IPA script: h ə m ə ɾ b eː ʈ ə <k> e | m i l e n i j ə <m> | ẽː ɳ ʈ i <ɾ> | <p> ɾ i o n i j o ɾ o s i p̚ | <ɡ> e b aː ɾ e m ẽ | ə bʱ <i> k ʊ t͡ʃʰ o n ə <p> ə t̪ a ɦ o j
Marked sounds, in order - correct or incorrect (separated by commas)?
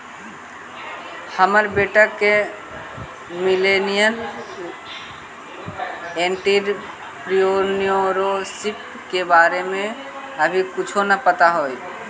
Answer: correct, incorrect, correct, correct, incorrect, correct, correct